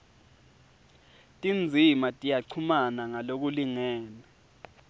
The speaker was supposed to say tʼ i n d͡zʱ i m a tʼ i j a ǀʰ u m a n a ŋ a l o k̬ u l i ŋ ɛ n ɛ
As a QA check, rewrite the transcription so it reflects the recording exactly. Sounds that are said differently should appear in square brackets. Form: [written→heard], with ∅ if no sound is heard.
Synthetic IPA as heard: tʼ i n d͡zʱ i m a tʼ i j a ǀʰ u m a n a ŋ a l o k̬ u l i ŋ [ɛ→ɛː] n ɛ